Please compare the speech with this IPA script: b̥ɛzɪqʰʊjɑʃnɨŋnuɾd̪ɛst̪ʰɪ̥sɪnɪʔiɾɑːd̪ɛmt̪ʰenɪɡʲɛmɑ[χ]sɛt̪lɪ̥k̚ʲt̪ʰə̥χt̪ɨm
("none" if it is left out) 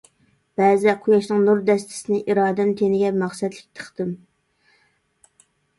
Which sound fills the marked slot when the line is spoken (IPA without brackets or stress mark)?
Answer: χ